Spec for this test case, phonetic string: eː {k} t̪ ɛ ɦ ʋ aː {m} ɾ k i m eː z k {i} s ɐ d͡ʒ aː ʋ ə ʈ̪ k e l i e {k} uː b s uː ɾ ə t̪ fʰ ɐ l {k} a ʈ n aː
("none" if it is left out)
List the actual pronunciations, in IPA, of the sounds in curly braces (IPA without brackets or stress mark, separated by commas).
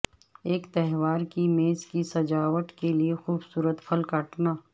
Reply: k, none, i, x, k